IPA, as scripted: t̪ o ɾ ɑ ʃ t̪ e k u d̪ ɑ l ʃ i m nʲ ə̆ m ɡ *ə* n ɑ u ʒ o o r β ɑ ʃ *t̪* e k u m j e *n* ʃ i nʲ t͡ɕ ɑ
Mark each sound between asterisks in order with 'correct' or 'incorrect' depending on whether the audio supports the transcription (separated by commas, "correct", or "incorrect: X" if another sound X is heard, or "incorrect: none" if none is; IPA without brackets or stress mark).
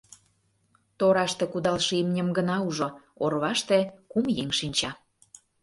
correct, correct, incorrect: ŋ